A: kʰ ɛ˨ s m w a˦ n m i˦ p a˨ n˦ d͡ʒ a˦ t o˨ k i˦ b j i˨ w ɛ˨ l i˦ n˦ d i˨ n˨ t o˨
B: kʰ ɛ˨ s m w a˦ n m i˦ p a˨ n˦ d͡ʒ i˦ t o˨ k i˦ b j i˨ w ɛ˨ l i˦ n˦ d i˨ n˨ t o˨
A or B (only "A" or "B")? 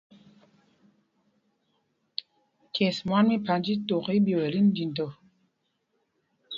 B